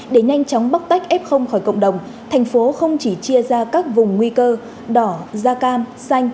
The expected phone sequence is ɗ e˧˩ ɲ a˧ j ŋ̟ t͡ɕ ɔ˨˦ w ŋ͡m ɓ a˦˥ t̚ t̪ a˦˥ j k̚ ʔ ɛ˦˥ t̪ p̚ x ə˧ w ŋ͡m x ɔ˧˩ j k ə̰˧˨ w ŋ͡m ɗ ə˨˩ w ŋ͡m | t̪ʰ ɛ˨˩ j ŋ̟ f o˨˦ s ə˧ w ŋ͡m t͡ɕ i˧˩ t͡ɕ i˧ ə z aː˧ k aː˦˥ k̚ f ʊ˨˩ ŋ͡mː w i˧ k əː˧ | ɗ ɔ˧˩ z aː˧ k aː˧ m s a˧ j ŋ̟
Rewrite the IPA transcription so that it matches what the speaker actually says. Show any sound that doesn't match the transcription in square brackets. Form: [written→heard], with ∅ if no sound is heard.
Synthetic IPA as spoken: ɗ e˧˩ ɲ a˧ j ŋ̟ t͡ɕ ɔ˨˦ w ŋ͡m ɓ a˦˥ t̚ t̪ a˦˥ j k̚ ʔ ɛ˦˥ [t̪→∅] p̚ x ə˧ w ŋ͡m x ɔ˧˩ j k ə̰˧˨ w ŋ͡m ɗ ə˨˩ w ŋ͡m | t̪ʰ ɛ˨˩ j ŋ̟ f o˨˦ [s→x] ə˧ w ŋ͡m t͡ɕ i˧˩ t͡ɕ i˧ ə z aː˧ k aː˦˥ k̚ [f→v] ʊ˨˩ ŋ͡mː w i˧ k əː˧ | ɗ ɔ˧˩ z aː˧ k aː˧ m s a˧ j ŋ̟